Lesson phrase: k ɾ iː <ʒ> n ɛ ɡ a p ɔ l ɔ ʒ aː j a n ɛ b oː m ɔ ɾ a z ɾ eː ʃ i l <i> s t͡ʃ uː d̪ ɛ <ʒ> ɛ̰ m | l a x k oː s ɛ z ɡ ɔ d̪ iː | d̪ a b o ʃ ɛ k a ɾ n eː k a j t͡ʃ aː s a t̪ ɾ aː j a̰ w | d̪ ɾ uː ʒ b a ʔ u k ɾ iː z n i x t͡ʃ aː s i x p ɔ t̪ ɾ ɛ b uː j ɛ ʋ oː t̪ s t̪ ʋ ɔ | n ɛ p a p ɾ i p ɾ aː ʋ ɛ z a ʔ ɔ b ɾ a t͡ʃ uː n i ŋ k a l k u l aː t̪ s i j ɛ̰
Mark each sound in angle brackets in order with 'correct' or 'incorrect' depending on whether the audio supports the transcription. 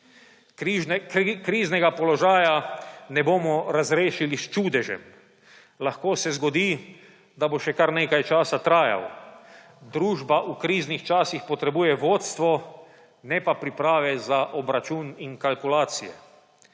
incorrect: z, correct, correct

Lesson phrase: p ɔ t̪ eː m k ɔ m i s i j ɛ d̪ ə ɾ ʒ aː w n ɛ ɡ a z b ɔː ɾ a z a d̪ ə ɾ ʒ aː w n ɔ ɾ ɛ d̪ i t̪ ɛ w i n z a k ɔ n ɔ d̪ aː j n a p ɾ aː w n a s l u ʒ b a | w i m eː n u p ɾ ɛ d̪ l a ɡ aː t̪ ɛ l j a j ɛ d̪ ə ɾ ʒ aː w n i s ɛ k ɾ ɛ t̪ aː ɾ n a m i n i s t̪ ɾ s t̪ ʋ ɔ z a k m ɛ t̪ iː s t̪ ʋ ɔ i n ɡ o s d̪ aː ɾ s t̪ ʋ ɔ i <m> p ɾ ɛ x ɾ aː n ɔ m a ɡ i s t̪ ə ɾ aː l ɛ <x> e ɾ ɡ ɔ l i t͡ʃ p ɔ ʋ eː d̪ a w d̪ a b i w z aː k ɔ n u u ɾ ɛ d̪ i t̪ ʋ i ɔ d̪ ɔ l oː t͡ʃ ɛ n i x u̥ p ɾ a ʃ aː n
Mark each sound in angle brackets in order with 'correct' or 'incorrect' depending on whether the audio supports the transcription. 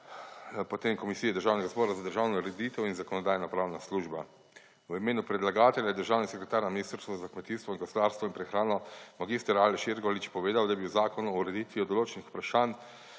incorrect: n, incorrect: ʃ

